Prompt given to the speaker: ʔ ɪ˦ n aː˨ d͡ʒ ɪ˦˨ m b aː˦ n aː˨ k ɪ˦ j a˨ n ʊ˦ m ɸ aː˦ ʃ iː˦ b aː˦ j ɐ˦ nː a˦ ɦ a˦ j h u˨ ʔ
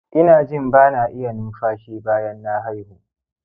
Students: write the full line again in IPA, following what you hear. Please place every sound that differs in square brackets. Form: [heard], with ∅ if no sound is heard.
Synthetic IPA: ʔ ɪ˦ n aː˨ d͡ʒ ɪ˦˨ m b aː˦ n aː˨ [ʔ] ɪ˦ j a˨ n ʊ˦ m ɸ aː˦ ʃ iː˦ b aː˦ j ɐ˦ nː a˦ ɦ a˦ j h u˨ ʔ